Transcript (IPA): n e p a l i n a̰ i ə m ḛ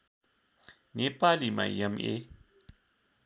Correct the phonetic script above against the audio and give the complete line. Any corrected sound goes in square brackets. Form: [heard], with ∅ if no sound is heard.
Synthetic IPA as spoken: n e p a l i [m] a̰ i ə m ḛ

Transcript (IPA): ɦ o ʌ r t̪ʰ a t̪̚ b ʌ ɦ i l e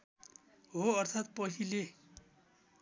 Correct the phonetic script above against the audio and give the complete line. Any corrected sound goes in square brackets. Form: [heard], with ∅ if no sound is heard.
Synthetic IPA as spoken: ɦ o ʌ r t̪ʰ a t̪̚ [p] ʌ ɦ i l e

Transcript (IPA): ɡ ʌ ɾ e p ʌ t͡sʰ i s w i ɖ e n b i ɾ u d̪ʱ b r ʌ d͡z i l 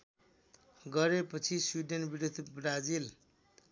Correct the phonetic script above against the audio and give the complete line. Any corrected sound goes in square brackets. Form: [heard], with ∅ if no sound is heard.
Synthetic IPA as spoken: ɡ ʌ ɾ e p ʌ t͡sʰ i s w i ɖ e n b i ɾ u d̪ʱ b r [a] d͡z i l

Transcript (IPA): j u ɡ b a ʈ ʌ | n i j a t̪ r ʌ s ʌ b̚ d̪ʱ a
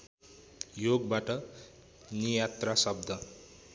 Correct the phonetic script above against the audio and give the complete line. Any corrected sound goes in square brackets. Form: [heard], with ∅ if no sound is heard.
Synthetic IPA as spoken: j [o] ɡ b a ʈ ʌ | n i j a t̪ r [a] s ʌ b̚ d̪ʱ [ʌ]

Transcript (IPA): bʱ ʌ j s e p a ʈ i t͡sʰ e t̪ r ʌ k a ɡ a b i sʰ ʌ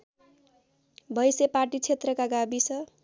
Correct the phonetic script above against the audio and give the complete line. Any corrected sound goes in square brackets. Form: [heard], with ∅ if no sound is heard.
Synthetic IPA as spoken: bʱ ʌ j s e p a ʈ i t͡sʰ e t̪ r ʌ k a ɡ a b i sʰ ʌ

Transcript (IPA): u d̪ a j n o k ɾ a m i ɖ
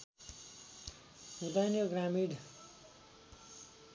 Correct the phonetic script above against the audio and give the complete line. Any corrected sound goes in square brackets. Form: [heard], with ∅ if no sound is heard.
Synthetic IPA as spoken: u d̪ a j n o [ɡ] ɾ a m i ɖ

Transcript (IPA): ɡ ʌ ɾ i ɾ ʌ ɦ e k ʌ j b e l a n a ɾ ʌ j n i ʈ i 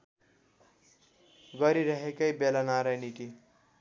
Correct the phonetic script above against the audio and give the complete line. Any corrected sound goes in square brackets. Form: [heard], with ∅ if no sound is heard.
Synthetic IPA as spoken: ɡ ʌ ɾ i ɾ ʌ ɦ e k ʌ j b e l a n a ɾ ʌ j n i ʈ i

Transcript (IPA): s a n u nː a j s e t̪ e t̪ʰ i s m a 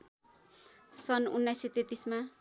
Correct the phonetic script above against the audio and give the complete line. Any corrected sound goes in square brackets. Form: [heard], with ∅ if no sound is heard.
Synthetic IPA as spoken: s [ʌ] n u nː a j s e t̪ e [t̪] i s m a

